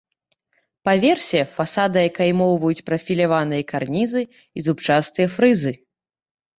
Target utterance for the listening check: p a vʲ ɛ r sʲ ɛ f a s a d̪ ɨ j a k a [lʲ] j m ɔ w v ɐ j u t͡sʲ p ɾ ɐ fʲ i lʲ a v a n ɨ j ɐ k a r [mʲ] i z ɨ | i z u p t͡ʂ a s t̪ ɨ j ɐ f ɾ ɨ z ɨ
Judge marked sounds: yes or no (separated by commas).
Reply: no, no